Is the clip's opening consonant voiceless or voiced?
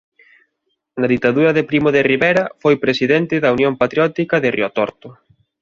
voiced